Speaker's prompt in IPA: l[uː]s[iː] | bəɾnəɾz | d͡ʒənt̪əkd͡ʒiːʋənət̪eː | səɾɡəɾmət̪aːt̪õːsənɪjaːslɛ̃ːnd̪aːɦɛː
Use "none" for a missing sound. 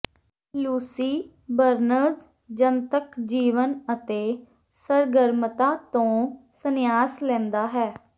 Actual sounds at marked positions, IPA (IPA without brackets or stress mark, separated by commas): uː, iː